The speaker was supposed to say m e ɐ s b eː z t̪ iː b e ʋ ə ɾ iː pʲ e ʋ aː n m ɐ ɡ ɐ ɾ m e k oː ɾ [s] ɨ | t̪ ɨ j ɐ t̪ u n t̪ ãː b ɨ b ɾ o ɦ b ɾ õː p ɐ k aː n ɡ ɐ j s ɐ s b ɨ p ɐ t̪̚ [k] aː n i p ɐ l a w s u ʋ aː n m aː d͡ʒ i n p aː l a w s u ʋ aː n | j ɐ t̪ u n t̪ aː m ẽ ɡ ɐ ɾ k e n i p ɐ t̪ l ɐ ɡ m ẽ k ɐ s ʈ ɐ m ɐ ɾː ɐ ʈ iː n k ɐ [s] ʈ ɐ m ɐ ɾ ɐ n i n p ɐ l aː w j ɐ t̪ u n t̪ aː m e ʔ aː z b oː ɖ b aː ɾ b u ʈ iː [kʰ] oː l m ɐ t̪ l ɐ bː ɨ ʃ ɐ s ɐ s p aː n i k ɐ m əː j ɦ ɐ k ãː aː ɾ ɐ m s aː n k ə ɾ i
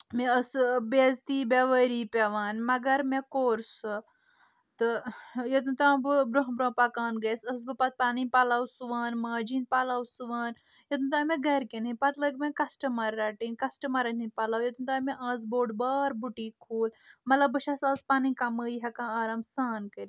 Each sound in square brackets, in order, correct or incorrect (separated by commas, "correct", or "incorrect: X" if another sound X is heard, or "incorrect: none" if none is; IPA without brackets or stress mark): correct, incorrect: p, correct, correct